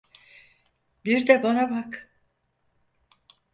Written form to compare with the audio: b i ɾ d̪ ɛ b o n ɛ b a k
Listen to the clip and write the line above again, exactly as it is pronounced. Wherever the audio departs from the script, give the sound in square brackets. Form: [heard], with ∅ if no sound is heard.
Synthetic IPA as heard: b i ɾ d̪ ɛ b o n [a] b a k